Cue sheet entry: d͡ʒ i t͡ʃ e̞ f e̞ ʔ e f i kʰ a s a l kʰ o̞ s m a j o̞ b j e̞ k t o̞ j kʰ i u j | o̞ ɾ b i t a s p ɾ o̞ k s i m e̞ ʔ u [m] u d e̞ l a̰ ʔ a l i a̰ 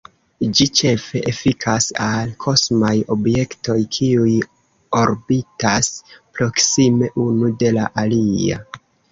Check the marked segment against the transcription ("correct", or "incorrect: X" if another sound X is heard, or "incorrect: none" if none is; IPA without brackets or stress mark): incorrect: n